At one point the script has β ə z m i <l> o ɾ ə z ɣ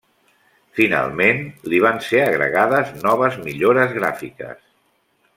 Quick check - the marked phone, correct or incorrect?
incorrect: ʎ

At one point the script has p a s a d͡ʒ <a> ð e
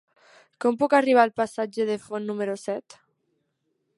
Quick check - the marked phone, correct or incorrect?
incorrect: e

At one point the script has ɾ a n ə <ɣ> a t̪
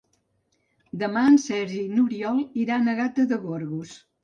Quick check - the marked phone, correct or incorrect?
correct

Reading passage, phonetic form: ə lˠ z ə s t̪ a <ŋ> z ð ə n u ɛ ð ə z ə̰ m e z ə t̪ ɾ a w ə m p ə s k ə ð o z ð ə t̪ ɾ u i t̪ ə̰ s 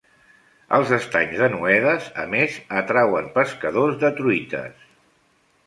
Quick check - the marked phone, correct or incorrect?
incorrect: ɲ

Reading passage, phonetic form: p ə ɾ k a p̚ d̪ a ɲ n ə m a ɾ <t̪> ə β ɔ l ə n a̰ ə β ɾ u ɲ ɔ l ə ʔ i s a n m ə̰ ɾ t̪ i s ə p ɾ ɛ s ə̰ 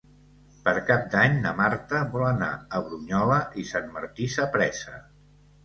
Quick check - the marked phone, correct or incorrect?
correct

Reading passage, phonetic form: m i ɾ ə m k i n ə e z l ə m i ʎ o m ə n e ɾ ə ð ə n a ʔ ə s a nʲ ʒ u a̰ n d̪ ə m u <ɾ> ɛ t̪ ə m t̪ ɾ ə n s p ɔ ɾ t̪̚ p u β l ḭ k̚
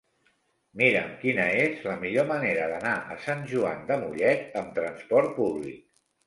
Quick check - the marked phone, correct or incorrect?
incorrect: ʎ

